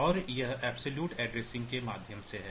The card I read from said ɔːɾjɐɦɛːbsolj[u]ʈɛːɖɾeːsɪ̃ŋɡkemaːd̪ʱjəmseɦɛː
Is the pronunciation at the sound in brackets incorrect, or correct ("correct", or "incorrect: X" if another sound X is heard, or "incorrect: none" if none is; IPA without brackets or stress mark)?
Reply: incorrect: uː